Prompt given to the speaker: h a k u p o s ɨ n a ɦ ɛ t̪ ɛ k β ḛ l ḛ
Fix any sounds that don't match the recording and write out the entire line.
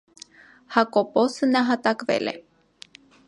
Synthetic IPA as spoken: h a k o p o s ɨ n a ɦ a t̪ a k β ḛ l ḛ